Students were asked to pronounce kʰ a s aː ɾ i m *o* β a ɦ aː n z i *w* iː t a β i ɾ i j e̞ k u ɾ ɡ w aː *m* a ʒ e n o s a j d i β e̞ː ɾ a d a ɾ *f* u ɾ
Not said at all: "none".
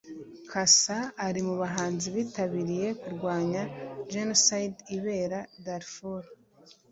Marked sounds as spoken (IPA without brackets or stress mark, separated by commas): u, β, ɲ, f